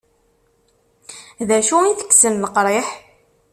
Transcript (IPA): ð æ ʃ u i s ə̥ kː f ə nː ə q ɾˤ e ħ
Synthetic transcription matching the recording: ð æ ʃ u i θ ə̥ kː s ə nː ə q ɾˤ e ħ